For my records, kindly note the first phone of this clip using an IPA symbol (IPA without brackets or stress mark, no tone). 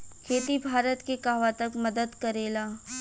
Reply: kʰ